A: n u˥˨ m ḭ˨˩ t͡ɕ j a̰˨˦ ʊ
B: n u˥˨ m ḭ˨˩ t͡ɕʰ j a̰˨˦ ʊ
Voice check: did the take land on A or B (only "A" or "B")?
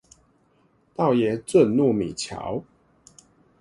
B